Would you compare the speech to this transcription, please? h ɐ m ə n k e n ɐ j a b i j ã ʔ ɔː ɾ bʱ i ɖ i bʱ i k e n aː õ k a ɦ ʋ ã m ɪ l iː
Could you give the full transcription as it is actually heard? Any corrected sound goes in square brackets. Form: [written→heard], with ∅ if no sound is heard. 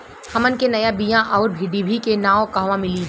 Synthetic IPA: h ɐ m ə n k e n ɐ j a b i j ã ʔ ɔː ɾ bʱ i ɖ i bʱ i k e n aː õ k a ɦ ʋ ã m ɪ l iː